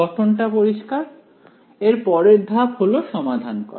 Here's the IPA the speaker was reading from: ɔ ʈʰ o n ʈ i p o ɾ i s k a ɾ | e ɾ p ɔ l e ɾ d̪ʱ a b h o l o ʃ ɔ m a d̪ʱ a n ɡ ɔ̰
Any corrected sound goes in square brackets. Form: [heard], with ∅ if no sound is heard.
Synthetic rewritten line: ɔ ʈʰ o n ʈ [a] p o ɾ i [ʃ] k a ɾ | e ɾ p ɔ [ɾ] e ɾ d̪ʱ a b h o l o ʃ ɔ m a d̪ʱ a n [k] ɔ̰